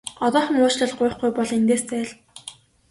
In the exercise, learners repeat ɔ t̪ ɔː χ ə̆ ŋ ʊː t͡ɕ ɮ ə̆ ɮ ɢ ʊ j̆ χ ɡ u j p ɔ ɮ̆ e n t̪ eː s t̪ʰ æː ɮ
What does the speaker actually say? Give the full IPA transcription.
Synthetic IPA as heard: ɔ t̪ ɔː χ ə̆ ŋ ʊː t͡ɕ ɮ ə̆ ɮ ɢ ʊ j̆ χ ɡ u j p ɔ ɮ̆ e n t̪ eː s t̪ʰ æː ɮ